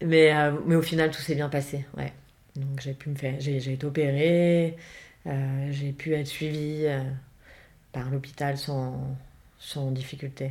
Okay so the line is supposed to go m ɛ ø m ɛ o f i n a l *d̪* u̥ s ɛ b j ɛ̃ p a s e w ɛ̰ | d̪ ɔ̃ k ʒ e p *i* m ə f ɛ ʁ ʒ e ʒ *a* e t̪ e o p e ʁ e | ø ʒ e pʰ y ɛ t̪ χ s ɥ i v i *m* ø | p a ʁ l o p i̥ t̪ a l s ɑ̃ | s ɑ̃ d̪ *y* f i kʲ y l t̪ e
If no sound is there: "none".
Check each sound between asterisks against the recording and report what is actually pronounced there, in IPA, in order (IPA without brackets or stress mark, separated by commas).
t̪, y, e, none, i